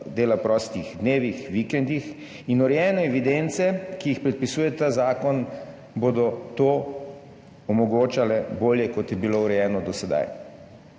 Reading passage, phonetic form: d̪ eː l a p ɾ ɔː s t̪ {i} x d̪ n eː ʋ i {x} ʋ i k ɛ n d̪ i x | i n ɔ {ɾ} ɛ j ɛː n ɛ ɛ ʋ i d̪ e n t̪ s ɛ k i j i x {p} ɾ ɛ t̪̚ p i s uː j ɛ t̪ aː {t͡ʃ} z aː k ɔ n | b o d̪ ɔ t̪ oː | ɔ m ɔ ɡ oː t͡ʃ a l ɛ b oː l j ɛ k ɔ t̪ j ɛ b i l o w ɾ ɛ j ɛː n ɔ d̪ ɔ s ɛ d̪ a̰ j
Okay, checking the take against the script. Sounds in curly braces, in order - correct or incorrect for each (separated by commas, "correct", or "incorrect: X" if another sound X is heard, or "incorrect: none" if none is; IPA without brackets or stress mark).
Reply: correct, correct, correct, correct, incorrect: none